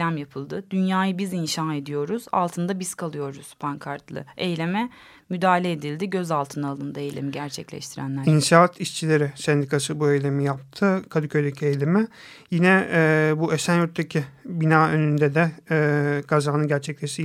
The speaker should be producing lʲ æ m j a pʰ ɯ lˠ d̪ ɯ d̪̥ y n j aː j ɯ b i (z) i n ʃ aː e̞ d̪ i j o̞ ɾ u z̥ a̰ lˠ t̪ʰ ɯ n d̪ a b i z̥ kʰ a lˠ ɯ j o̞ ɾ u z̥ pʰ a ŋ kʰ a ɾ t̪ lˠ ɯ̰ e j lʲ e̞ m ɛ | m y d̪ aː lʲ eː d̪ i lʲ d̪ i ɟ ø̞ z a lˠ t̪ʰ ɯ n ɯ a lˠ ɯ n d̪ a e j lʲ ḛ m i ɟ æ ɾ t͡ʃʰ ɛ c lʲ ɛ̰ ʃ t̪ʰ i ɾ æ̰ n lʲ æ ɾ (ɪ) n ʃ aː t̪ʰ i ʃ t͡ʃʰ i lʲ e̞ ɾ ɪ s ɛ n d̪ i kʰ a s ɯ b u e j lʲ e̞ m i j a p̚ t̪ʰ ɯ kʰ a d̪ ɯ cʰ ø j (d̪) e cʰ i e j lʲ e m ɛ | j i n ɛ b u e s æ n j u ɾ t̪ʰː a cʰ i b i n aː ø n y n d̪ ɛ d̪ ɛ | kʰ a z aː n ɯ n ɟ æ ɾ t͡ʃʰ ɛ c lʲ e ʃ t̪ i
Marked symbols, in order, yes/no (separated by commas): yes, no, yes